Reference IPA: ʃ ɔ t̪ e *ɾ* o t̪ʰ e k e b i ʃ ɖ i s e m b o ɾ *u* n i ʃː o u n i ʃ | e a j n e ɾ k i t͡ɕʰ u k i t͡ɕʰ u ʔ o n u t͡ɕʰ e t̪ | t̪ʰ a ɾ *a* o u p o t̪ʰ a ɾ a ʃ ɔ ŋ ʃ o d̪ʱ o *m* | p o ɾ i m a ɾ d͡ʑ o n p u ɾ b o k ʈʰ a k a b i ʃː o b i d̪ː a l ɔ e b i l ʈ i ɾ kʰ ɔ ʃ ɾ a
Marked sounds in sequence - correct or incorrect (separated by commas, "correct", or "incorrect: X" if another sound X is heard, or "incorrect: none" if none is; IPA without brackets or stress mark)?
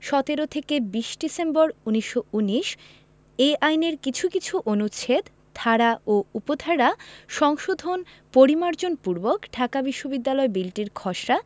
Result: correct, correct, correct, incorrect: n